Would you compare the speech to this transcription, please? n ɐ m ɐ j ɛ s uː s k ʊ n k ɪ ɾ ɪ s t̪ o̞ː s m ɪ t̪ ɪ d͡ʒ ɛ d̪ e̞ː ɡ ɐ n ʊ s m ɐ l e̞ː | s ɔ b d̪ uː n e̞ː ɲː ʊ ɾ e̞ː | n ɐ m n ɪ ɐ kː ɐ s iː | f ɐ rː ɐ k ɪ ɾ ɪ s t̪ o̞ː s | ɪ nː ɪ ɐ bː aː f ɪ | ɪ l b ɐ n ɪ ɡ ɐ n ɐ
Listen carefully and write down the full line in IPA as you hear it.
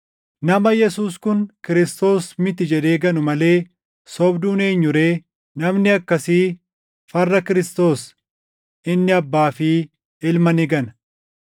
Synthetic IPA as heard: n ɐ m ɐ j ɛ s uː s k ʊ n k ɪ ɾ ɪ s t̪ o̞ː s m ɪ t̪ ɪ d͡ʒ ɛ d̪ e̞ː ɡ ɐ n ʊ m ɐ l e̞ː | s ɔ b d̪ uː n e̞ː ɲː ʊ ɾ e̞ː | n ɐ m n ɪ ɐ kː ɐ s iː | f ɐ rː ɐ k ɪ ɾ ɪ s t̪ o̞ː s | ɪ nː ɪ ɐ bː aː f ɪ | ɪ l m ɐ n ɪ ɡ ɐ n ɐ